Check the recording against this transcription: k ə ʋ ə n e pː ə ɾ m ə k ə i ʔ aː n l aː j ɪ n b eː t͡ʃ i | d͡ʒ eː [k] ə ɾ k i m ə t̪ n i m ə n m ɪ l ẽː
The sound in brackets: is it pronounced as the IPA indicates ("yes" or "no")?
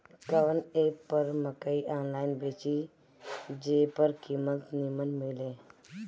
no